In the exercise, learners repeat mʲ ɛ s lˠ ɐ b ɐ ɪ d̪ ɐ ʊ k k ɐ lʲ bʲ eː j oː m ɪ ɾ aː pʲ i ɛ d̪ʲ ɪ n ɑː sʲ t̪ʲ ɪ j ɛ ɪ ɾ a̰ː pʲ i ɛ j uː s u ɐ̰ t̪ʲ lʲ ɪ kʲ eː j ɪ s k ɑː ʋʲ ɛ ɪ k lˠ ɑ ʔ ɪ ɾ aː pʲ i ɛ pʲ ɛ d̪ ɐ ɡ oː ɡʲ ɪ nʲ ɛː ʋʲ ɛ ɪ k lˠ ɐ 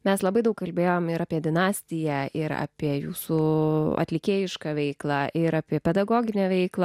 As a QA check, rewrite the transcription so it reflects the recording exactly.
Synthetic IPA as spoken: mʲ ɛ s lˠ ɐ b ɐ ɪ d̪ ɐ ʊ k k ɐ lʲ bʲ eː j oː m ɪ ɾ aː pʲ i ɛ d̪ʲ ɪ n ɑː sʲ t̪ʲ ɪ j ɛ ɪ ɾ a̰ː pʲ i ɛ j uː s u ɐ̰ t̪ʲ lʲ ɪ kʲ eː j ɪ ʃ k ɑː ʋʲ ɛ ɪ k lˠ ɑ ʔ ɪ ɾ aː pʲ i ɛ pʲ ɛ d̪ ɐ ɡ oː ɡʲ ɪ nʲ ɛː ʋʲ ɛ ɪ k lˠ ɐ